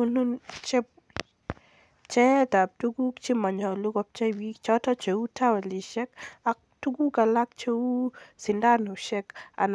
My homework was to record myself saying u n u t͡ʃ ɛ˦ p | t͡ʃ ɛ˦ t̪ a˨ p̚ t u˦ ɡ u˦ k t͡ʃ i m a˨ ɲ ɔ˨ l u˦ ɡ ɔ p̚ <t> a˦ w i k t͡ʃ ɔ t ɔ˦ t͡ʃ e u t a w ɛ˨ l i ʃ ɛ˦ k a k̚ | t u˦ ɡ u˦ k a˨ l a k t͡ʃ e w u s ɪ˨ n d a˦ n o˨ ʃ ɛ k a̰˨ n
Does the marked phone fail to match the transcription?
yes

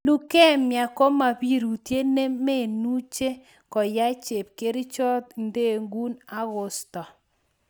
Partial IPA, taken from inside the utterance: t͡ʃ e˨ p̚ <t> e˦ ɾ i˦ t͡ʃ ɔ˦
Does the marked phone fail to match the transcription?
yes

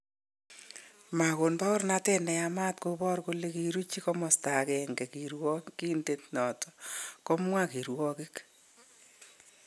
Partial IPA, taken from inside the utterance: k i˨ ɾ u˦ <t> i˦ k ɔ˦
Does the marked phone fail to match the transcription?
yes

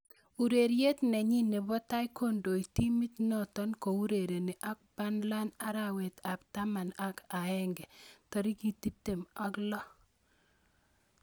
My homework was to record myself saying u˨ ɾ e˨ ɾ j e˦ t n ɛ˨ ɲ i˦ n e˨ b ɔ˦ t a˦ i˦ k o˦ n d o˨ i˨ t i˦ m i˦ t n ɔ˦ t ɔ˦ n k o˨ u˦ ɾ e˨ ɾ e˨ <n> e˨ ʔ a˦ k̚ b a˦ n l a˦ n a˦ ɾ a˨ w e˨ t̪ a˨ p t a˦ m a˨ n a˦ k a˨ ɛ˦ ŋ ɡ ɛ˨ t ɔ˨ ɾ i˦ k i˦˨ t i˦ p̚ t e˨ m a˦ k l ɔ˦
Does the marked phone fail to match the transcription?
no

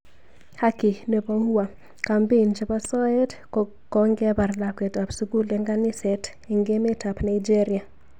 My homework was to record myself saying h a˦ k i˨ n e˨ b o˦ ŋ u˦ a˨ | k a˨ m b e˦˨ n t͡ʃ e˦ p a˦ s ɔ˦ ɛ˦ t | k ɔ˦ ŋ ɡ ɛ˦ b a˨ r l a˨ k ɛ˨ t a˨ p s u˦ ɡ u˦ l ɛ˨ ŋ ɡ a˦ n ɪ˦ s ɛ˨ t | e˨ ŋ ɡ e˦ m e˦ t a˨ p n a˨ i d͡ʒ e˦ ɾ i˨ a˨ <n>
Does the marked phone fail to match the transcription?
yes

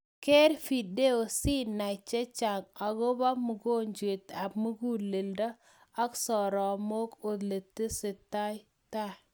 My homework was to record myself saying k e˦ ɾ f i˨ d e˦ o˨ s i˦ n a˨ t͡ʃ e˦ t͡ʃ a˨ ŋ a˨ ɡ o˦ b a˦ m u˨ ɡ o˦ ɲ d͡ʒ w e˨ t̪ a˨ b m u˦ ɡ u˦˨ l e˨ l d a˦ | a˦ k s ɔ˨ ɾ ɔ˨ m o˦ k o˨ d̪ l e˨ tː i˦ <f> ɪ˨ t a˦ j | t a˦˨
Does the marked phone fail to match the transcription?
yes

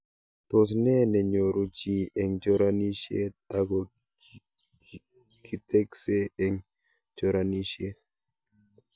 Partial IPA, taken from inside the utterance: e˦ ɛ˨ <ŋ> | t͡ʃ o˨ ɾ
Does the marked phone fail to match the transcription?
no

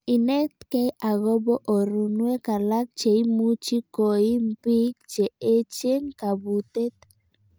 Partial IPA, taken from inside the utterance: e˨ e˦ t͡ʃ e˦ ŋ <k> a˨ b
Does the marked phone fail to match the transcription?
no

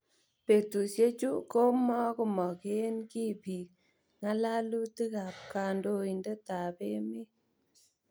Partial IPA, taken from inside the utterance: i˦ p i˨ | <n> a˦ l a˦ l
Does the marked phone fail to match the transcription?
yes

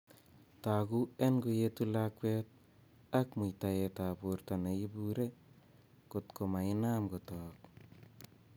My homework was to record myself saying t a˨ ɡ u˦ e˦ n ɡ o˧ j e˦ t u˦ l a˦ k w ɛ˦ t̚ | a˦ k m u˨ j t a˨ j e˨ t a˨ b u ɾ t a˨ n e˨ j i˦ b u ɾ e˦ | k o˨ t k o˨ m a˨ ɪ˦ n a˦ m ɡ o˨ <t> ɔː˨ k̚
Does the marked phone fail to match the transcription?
no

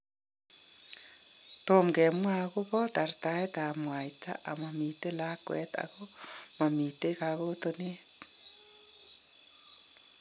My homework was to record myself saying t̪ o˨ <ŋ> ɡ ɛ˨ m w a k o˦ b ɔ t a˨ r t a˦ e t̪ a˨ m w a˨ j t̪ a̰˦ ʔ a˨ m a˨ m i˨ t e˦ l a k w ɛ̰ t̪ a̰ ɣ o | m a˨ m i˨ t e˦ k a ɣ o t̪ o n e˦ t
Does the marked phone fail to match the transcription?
yes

